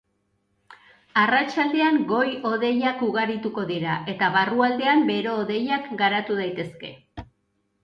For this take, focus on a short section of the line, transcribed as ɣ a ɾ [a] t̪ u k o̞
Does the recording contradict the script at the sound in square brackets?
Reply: yes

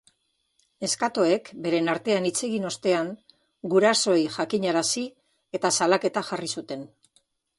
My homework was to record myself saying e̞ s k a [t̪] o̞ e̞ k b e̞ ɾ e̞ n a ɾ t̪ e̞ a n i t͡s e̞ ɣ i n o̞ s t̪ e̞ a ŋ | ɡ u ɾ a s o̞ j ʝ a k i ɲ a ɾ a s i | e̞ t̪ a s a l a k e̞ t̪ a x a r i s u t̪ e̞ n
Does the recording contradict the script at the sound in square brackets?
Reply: no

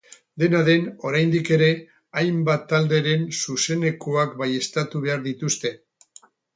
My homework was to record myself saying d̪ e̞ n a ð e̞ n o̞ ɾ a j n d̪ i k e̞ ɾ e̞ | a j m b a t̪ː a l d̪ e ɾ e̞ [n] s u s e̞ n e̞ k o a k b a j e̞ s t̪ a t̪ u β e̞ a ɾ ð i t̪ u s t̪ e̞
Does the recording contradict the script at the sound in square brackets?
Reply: no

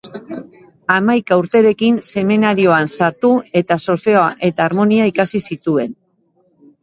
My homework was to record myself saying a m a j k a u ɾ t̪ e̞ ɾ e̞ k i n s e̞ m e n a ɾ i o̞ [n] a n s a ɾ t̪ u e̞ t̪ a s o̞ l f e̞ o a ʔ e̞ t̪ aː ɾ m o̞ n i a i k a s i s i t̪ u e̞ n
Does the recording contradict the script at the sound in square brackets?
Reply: yes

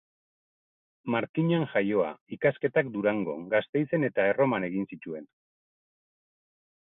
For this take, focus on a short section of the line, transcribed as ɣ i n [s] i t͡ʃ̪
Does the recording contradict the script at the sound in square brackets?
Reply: no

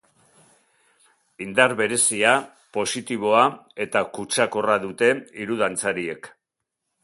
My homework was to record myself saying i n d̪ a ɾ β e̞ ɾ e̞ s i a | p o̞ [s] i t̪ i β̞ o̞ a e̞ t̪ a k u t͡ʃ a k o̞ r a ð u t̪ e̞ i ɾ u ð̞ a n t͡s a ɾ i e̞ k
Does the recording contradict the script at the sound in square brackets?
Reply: no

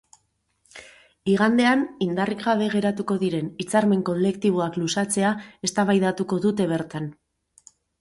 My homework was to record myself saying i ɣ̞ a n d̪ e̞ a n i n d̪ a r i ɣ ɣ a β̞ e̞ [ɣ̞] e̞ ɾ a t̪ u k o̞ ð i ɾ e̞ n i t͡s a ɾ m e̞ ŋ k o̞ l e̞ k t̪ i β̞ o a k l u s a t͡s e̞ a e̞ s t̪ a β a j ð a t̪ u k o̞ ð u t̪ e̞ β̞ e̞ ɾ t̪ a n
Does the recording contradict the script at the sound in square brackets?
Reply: no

